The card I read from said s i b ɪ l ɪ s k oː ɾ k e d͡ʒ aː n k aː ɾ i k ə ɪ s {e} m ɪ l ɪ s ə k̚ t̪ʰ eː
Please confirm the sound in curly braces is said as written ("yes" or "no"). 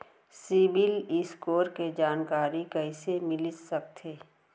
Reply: yes